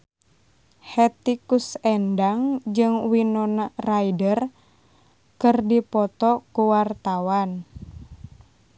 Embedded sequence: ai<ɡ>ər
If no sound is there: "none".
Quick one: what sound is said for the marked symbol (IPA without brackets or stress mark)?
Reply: d